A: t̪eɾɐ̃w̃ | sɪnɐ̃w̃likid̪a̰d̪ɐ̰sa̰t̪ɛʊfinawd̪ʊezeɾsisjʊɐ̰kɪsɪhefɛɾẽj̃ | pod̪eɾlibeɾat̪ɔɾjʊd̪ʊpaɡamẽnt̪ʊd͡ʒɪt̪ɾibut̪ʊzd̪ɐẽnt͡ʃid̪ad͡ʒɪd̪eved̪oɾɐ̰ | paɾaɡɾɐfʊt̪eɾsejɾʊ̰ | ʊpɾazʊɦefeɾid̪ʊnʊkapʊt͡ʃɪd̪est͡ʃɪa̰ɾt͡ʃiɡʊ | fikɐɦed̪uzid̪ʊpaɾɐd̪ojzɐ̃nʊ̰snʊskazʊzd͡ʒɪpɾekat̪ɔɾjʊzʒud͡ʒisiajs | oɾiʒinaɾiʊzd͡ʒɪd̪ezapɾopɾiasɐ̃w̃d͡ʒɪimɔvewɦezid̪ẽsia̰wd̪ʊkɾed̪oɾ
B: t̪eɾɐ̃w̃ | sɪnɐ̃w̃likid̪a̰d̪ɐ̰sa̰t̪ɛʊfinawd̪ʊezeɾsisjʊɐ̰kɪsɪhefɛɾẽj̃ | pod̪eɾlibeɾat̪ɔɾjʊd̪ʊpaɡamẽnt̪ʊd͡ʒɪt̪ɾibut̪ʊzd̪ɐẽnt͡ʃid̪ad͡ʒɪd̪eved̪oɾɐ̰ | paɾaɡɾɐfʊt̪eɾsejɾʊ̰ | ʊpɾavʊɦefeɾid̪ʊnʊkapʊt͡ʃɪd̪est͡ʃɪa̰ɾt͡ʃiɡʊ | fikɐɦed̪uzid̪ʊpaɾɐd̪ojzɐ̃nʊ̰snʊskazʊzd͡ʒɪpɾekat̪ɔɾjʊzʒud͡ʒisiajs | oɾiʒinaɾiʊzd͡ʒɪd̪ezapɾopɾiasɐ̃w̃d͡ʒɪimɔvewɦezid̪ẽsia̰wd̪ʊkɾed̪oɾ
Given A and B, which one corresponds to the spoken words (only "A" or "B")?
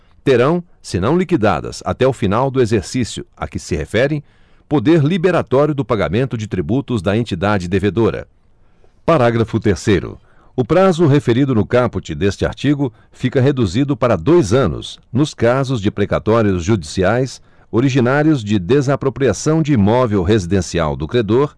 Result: A